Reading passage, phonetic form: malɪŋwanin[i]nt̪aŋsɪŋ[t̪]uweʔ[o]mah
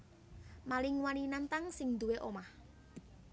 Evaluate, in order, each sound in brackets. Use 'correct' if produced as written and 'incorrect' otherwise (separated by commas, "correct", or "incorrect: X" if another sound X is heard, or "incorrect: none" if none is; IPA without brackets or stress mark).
incorrect: a, incorrect: d̪, correct